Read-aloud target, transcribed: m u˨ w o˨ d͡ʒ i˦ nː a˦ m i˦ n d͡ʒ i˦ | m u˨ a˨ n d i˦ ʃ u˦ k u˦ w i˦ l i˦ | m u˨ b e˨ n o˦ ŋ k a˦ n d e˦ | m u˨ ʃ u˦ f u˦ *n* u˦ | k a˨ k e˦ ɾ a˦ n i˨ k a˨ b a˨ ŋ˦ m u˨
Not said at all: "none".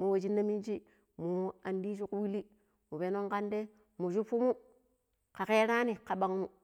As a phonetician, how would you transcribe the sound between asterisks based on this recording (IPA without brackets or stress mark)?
m